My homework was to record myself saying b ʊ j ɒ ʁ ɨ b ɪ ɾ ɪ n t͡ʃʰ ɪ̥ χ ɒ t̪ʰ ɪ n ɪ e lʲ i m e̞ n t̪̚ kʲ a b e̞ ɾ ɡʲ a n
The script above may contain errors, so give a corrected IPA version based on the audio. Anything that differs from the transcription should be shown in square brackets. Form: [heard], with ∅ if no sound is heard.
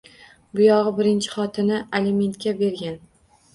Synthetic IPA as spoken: b ʊ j ɒ ʁ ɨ b ɪ ɾ ɪ n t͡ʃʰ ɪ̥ χ ɒ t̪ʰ ɪ n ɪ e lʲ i m e̞ n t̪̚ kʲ a b e̞ ɾ ɡʲ a n

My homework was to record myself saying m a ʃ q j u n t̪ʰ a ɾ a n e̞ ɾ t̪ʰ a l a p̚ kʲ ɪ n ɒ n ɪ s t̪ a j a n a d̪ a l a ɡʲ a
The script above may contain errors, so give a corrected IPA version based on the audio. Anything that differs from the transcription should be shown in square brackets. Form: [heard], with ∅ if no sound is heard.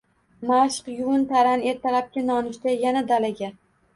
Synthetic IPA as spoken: m a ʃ q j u n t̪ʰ a ɾ a n e̞ ɾ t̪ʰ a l a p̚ kʲ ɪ n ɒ n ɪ [ʃ] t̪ a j a n a d̪ a l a ɡʲ a

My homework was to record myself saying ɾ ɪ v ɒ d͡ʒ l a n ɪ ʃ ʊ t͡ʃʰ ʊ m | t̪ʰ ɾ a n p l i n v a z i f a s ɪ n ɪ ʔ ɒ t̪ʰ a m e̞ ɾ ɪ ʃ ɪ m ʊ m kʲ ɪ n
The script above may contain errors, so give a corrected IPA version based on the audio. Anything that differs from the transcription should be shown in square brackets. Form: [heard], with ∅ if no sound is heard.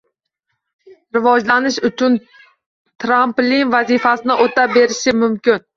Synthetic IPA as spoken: ɾ ɪ v ɒ d͡ʒ l a n ɪ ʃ ʊ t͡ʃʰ ʊ [n] | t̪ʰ ɾ a [m] p l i n v a z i f a s ɪ n ɪ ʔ [o] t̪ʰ a [b] e̞ ɾ ɪ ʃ ɪ m ʊ m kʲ ɪ n

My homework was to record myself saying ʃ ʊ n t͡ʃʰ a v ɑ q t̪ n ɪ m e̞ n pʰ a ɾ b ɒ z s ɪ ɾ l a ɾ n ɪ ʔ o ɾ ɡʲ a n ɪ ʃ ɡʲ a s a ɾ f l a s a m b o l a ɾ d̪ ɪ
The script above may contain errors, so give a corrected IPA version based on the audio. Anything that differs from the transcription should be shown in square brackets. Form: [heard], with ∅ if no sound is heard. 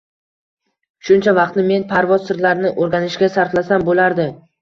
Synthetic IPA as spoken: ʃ ʊ n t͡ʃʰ a v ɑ q t̪ n ɪ m e̞ n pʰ a ɾ [v] ɒ z s ɪ ɾ l a ɾ n ɪ ʔ o ɾ ɡʲ a n ɪ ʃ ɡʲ a s a ɾ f l a s a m b o l a ɾ d̪ ɪ

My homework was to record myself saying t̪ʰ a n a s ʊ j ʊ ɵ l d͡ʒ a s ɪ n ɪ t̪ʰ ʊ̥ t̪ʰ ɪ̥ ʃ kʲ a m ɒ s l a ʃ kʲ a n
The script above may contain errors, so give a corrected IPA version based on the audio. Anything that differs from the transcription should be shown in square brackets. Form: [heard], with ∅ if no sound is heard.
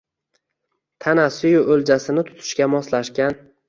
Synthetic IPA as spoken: t̪ʰ a n a s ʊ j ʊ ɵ l d͡ʒ a s ɪ n ɪ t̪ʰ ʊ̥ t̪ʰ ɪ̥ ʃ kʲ a m ɒ s l a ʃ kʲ a n

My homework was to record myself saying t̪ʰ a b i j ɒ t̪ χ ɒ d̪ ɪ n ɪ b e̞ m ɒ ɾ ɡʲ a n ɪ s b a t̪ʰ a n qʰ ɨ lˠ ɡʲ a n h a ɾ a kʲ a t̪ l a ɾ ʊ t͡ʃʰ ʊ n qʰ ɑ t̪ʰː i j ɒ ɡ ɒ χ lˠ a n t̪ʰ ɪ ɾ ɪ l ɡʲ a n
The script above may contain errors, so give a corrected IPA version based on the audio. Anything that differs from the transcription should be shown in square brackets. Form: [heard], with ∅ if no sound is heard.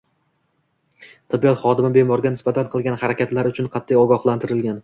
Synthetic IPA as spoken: t̪ʰ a b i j ɒ t̪ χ ɒ d̪ ɪ [m] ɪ b e̞ m ɒ ɾ ɡʲ a n ɪ s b a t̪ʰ a n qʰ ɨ lˠ ɡʲ a n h a ɾ a kʲ a t̪ l a ɾ ʊ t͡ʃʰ ʊ n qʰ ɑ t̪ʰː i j ɒ ɡ ɒ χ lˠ a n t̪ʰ ɪ ɾ ɪ l ɡʲ a n

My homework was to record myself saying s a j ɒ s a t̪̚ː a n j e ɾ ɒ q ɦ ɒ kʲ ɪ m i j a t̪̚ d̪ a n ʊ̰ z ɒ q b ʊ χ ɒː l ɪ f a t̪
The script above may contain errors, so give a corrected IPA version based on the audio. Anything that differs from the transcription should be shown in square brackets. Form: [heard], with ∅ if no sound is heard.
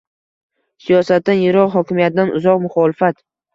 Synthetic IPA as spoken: s [i] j ɒ s a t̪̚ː a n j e ɾ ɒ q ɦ ɒ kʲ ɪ m i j a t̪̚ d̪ a n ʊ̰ z ɒ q [m] ʊ χ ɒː l ɪ f a t̪

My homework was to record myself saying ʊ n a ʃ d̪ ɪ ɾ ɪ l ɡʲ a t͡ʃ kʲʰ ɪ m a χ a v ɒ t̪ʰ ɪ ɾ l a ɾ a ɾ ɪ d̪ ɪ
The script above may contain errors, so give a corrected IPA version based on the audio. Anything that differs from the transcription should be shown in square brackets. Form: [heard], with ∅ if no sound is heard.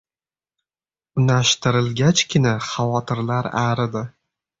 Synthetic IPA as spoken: ʊ n a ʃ [t̪] ɪ ɾ ɪ l ɡʲ a t͡ʃ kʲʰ ɪ [n] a χ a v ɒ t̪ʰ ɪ ɾ l a ɾ a ɾ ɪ d̪ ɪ

